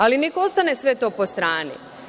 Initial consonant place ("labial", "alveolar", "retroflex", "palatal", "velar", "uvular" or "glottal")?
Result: alveolar